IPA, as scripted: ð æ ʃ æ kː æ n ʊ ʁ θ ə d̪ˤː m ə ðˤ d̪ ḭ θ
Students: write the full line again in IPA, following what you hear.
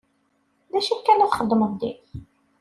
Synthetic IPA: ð æ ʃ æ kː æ n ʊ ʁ χ ə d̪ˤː m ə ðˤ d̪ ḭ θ

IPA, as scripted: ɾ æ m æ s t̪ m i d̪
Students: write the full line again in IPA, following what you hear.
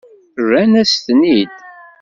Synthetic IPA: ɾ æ n æ s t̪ n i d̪

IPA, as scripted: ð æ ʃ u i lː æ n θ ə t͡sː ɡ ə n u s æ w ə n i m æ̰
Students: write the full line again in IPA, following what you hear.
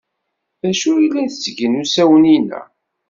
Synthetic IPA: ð æ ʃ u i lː æ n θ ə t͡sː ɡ ə n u s æ w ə n i n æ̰

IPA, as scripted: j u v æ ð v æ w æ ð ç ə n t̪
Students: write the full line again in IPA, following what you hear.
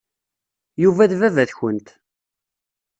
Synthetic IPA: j u v æ ð v æ v æ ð ç ə n t̪

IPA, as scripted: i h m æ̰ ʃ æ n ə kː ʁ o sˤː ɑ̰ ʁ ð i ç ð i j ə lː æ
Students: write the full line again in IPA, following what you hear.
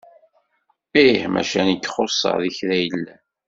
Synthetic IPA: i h m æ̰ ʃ æ n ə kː χ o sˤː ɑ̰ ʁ ð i ç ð æ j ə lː æ

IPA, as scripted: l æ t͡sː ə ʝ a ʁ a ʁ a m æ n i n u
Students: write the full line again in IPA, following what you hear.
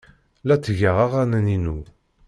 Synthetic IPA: l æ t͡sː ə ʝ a ʁ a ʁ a n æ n i n u

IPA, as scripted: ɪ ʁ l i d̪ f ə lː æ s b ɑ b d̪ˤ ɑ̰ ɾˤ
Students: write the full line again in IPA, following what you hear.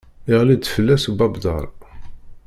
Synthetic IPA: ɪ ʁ l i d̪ f ə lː æ s b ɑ b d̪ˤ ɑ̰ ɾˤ

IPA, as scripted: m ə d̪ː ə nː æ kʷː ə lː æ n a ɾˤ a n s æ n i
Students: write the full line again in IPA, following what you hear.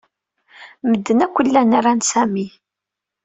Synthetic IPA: m ə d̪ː ə n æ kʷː ə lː æ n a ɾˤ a n s æ m i

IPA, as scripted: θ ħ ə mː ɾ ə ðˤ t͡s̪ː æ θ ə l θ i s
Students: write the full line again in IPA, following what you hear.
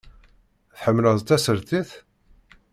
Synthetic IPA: θ ħ ə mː l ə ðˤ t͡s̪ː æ s ə ɾ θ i θ

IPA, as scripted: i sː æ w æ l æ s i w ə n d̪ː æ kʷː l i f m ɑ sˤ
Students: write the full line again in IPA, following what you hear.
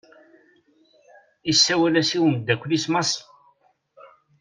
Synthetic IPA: i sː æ w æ l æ s i w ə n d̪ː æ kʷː l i s m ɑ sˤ

